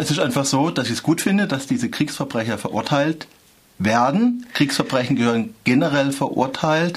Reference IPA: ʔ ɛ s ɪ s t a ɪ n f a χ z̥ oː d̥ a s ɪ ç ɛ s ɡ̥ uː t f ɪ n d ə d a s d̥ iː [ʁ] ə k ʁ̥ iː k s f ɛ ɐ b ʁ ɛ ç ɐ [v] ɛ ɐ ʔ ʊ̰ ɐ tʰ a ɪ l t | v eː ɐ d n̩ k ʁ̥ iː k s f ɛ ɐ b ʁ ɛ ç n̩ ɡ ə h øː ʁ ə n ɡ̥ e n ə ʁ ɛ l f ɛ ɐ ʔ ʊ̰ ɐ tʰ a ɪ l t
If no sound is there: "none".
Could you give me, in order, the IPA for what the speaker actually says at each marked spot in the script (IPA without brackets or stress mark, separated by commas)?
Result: z, f